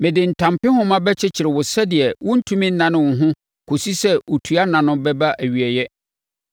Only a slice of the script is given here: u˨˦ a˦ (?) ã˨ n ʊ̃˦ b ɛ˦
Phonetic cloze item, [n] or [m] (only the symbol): n